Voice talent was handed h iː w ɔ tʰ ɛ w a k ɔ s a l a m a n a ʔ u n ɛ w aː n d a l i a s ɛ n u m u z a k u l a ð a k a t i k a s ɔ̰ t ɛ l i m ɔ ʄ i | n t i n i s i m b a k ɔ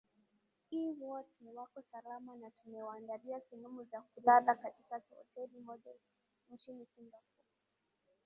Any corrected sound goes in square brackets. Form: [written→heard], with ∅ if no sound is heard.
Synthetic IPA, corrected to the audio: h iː w ɔ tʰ ɛ w a k ɔ s a l a m a n a [ʔ→t] u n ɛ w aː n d a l i a s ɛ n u m u z a k u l a ð a k a t i k a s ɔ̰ t ɛ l i m ɔ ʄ [i→a] | n [t→t͡ʃ] i n i s i m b a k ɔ